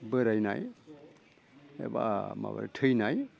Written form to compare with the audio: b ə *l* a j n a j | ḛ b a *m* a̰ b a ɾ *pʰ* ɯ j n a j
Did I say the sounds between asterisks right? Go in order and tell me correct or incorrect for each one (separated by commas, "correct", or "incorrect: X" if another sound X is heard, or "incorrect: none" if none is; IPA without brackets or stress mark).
incorrect: ɾ, correct, incorrect: tʰ